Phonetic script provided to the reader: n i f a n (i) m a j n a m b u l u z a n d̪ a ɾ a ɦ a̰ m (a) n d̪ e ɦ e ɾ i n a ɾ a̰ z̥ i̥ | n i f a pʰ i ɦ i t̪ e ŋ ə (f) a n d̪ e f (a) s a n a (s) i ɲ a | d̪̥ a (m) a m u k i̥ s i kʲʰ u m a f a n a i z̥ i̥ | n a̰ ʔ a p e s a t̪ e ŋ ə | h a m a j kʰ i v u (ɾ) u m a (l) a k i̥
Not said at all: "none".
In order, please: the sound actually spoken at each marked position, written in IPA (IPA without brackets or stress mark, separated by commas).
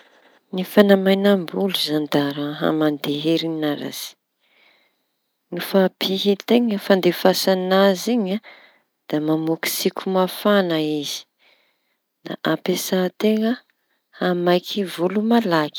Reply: a, a, f, a, z, m, l, l